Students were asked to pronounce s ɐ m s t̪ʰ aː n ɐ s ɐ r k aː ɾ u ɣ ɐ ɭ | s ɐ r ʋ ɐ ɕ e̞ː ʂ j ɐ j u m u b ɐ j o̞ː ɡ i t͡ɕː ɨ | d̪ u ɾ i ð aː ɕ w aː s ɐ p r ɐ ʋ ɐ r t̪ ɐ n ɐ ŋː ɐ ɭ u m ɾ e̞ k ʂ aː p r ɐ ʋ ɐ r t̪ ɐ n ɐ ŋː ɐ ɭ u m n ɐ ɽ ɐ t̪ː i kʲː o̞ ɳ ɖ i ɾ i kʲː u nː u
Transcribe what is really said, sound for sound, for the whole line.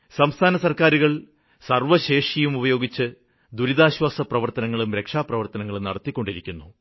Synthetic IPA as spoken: s ɐ m s t̪ʰ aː n ɐ s ɐ r k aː ɾ u ɣ ɐ ɭ | s ɐ r ʋ ɐ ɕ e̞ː ʂ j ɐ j u m u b ɐ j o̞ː ɡ i t͡ɕː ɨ | d̪ u ɾ i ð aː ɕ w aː s ɐ p r ɐ ʋ ɐ r t̪ ɐ n ɐ ŋː ɐ ɭ u m ɾ e̞ k ʂ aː p r ɐ ʋ ɐ r t̪ ɐ n ɐ ŋː ɐ ɭ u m n ɐ ɽ ɐ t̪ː i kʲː o̞ ɳ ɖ i ɾ i kʲː u nː u

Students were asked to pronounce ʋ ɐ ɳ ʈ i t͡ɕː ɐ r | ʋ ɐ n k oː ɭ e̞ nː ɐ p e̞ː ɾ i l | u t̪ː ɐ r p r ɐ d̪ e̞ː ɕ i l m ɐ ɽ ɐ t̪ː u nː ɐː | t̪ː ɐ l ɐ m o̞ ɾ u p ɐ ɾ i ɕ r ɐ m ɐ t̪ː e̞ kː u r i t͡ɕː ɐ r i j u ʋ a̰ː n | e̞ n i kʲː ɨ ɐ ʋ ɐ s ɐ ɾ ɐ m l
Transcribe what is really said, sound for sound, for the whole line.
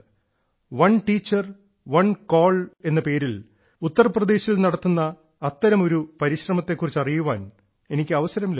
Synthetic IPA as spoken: ʋ ɐ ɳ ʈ iː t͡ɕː ɐ r | ʋ ɐ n k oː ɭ e̞ nː ɐ p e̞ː ɾ i l | u t̪ː ɐ r p r ɐ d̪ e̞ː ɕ i l n ɐ ɽ ɐ t̪ː u nː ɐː | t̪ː ɐ ɾ ɐ m o̞ ɾ u p ɐ ɾ i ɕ r ɐ m ɐ t̪ː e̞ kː u r i t͡ɕː ɐ r i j u ʋ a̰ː n | e̞ n i kʲː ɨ ɐ ʋ ɐ s ɐ ɾ ɐ m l

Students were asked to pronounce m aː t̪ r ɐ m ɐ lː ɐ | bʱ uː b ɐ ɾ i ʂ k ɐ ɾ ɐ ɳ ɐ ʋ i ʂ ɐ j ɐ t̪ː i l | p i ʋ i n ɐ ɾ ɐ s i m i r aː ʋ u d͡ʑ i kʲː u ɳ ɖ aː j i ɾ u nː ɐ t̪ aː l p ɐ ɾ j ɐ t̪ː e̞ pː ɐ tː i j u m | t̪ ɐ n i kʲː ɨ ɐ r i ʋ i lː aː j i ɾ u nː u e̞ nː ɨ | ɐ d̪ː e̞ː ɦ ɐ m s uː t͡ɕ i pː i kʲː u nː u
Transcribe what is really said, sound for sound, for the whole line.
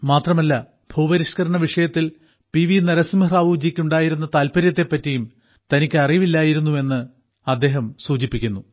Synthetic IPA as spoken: m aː t̪ r ɐ m ɐ lː ɐ | bʱ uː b ɐ ɾ i ʂ k ɐ ɾ ɐ ɳ ɐ ʋ i ʂ ɐ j ɐ t̪ː i l | p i ʋ i n ɐ ɾ ɐ s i m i r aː ʋ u d͡ʑ i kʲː u ɳ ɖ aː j i ɾ u nː ɐ t̪ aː l p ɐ ɾ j ɐ t̪ː e̞ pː ɐ tː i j u m | t̪ ɐ n i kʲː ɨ ɐ r i ʋ i lː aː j i ɾ u nː u e̞ nː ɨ | ɐ d̪ː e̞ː ɦ ɐ m s uː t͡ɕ i pː i kʲː u nː u

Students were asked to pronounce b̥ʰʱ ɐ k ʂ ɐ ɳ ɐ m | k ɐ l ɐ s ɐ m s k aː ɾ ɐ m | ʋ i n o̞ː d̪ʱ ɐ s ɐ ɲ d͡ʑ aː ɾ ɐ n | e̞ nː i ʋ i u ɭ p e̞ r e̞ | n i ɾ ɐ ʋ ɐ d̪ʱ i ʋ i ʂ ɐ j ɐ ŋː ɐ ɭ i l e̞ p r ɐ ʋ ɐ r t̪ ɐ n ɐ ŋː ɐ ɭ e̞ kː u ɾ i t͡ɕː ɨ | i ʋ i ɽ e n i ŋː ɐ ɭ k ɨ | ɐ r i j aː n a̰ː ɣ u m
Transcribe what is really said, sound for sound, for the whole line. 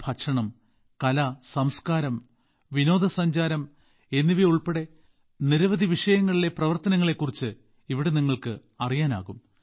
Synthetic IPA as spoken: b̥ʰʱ ɐ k ʂ ɐ ɳ ɐ m | k ɐ l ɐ s ɐ m s k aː ɾ ɐ m | ʋ i n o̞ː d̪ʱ ɐ s ɐ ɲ d͡ʑ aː ɾ ɐ m | e̞ nː i ʋ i u ɭ p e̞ ɽ e̞ | n i ɾ ɐ ʋ ɐ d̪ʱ i ʋ i ʂ ɐ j ɐ ŋː ɐ ɭ i l e̞ p r ɐ ʋ ɐ r t̪ ɐ n ɐ ŋː ɐ ɭ e̞ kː u r i t͡ɕː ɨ | i ʋ i ɽ e n i ŋː ɐ ɭ k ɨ | ɐ r i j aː n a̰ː ɣ u m

